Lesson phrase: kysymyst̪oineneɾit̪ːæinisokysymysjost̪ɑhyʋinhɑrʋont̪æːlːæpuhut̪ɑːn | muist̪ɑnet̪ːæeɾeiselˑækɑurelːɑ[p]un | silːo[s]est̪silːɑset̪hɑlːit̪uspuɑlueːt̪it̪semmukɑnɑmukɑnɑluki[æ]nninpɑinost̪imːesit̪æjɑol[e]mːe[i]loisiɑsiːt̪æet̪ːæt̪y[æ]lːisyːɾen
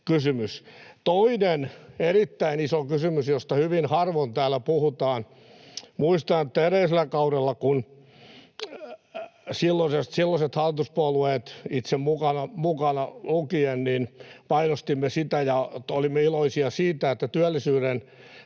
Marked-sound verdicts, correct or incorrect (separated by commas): incorrect, correct, incorrect, incorrect, correct, correct